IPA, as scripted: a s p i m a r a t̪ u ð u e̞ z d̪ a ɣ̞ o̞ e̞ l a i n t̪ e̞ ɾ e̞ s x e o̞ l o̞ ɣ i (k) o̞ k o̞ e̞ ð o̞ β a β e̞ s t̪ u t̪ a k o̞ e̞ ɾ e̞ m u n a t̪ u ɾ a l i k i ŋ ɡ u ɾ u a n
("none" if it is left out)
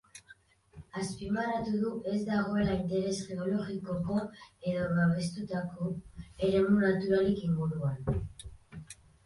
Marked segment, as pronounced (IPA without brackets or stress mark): k